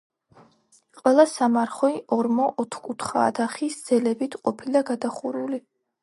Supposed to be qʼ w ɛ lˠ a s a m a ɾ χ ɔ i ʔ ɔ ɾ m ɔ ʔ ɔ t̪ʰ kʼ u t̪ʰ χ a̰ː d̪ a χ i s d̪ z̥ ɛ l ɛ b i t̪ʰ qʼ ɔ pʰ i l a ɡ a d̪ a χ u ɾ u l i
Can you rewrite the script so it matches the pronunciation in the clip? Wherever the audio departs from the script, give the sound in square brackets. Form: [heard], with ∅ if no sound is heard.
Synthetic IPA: qʼ w ɛ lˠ a s a m a ɾ χ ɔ i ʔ ɔ ɾ m ɔ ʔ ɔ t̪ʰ kʼ u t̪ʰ χ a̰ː d̪ a χ i s d̪ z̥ ɛ l ɛ b i t̪ʰ qʼ ɔ pʰ i l a ɡ a d̪ a χ u ɾ u l i